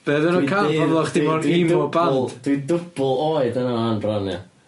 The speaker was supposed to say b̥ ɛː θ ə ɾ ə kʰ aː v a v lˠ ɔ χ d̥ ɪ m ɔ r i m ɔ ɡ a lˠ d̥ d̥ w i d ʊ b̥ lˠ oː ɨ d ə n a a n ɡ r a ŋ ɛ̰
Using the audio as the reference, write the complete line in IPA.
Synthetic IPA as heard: b̥ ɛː ð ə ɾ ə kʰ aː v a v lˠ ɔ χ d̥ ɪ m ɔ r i m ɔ b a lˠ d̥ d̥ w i d ʊ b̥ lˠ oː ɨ d ə n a a n b r a n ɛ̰